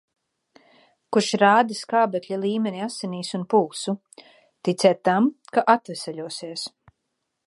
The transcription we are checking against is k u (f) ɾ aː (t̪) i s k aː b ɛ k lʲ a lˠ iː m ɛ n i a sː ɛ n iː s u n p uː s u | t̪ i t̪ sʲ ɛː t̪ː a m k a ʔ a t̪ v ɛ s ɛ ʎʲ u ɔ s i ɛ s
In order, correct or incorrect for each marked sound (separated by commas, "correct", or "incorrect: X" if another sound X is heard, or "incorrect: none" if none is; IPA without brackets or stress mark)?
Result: incorrect: ʃ, incorrect: d̪